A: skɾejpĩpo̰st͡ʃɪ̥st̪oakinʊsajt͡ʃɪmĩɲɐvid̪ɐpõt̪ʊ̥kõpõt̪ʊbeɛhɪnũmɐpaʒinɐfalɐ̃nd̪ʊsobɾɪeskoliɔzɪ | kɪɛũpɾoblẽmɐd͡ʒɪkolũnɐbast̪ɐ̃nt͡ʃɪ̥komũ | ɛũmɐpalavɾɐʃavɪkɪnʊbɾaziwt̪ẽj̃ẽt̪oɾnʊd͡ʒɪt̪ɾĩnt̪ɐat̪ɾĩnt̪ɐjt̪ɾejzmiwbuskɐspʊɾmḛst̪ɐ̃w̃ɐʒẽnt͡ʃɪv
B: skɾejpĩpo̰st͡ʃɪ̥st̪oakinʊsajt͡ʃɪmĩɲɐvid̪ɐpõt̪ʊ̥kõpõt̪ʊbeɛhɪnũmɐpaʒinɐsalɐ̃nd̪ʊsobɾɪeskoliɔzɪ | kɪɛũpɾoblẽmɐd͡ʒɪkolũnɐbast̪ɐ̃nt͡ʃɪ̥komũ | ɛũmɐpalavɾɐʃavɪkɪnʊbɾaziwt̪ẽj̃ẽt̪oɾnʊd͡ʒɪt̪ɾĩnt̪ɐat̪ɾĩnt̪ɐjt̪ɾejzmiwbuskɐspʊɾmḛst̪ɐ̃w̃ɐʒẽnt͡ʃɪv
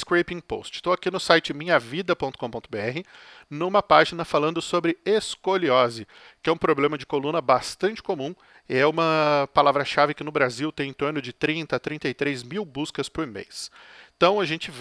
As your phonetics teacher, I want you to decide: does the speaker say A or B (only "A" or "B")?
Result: A